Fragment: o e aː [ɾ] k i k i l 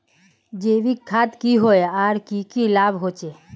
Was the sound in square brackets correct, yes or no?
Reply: yes